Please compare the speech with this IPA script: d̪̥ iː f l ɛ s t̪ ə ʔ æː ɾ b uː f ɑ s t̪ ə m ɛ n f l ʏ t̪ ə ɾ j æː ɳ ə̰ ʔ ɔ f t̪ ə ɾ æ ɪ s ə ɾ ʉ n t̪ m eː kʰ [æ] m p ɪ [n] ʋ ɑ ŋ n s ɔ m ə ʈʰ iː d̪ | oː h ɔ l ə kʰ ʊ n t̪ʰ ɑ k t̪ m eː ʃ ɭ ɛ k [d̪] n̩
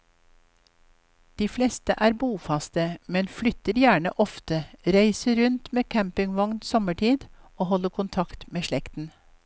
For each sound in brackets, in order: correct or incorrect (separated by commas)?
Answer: correct, incorrect, incorrect